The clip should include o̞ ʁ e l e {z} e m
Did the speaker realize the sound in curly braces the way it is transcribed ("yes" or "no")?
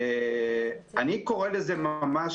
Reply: yes